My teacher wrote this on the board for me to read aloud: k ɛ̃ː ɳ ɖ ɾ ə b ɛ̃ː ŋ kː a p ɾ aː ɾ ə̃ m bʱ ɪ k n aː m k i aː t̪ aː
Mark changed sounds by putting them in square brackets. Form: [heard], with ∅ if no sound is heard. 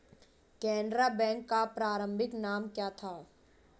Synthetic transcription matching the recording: k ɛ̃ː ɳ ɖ ɾ [a] b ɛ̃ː ŋ kː a p ɾ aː ɾ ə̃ m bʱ ɪ k n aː m k [j] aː [t̪ʰ] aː